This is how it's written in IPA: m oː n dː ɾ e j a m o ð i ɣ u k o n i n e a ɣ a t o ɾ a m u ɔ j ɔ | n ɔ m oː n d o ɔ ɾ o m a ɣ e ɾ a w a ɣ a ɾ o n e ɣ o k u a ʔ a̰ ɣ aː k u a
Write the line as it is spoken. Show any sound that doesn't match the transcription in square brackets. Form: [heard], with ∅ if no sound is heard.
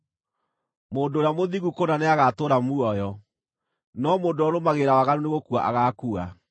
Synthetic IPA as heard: m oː n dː ɾ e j a m o ð i ɣ u k o n [a] n e a ɣ a t o ɾ a m u ɔ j ɔ | n ɔ m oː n d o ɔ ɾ o m a ɣ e ɾ a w a ɣ a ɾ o n e ɣ o k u a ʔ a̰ ɣ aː k u a